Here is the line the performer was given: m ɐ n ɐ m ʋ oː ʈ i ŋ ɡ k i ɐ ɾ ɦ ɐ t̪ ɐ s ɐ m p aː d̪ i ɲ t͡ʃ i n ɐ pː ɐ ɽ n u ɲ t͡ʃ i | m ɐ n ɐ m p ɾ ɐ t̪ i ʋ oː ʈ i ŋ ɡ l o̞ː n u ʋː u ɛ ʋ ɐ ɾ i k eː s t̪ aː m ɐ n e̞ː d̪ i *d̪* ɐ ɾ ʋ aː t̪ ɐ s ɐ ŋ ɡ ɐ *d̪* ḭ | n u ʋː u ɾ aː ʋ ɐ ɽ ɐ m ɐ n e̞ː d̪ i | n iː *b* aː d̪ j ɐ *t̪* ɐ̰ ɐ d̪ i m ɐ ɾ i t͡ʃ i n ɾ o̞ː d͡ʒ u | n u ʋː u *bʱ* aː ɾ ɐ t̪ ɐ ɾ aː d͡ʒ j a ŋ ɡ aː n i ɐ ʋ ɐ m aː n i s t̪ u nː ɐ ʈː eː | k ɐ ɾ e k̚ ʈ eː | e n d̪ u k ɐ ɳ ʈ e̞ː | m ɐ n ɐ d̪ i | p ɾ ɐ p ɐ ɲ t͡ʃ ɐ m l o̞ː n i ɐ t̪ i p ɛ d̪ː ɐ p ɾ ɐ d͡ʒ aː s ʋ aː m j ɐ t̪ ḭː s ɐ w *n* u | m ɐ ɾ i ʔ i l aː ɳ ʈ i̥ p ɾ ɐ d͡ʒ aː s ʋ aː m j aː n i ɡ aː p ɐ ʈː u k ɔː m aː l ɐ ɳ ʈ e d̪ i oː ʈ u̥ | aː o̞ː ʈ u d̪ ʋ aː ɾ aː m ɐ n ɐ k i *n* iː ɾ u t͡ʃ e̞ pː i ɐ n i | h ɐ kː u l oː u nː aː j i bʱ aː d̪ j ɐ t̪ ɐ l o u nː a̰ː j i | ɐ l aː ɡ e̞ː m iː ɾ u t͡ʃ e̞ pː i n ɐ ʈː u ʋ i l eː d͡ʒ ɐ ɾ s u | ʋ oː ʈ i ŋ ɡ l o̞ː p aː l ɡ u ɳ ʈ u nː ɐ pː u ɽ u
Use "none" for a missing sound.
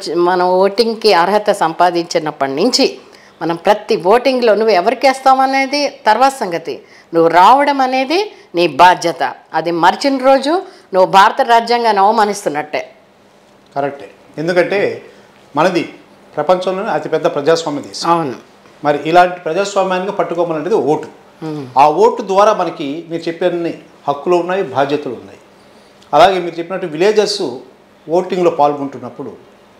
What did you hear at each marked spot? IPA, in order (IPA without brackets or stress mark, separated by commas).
t̪, t̪, b, t̪, bʱ, n, m